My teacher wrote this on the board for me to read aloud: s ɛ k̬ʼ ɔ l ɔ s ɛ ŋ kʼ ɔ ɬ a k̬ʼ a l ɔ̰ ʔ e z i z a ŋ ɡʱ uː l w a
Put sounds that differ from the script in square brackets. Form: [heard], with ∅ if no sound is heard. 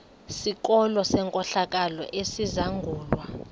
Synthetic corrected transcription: s [i] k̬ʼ ɔ l ɔ s ɛ ŋ kʼ ɔ ɬ a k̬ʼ a l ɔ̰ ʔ e [s] i z a ŋ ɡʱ uː l w a

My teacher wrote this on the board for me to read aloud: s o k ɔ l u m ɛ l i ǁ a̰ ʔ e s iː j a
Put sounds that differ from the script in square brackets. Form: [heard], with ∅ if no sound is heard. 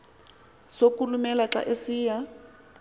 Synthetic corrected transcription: s o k [u] l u m ɛ l [a] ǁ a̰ ʔ e s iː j a

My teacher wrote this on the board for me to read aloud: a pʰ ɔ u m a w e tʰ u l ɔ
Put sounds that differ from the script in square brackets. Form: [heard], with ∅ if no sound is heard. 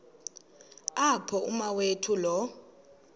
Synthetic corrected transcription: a pʰ ɔ u m a w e tʰ u l ɔ

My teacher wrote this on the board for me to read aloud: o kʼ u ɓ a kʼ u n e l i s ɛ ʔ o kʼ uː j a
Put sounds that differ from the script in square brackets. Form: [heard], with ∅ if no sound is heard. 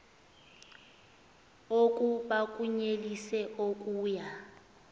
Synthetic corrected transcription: o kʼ u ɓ a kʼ u [ɲ] e l i s ɛ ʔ o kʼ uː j a

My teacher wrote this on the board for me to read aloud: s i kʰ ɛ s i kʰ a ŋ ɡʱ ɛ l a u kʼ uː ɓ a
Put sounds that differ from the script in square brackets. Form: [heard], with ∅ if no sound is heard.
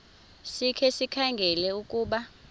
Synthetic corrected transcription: s i kʰ ɛ s i kʰ a ŋ ɡʱ ɛ l [ɛ] u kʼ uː ɓ a

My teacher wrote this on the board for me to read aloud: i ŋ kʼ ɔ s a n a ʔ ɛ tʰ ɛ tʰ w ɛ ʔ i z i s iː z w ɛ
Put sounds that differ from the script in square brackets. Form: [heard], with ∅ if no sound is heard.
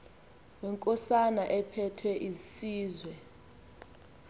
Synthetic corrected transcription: [ɛ] ŋ kʼ ɔ s a n a ʔ ɛ [pʰ] ɛ tʰ w ɛ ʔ i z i s iː z w ɛ

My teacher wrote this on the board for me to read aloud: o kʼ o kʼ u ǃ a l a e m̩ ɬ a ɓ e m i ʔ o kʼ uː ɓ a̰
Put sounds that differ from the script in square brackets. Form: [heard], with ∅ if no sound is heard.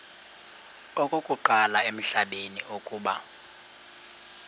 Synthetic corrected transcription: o kʼ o kʼ u ǃ a l a e m̩ ɬ a ɓ e [n] i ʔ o kʼ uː ɓ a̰

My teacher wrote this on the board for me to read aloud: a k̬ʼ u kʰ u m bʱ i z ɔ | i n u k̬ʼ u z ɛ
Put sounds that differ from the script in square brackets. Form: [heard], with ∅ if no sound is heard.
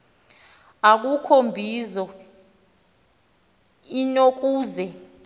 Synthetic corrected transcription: a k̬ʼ u kʰ [o] m bʱ i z ɔ | i n [o] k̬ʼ [uː] z ɛ

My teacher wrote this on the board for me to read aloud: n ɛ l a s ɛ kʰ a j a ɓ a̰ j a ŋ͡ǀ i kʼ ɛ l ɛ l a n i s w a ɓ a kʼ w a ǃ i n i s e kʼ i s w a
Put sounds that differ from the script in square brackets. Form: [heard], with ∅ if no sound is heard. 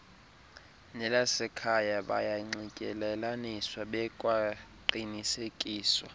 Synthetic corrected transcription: n ɛ l a s ɛ kʰ a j a ɓ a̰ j a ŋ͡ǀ i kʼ ɛ l ɛ l a n i s w a ɓ [ɛ] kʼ w a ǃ i n i s e kʼ [iː] s w a

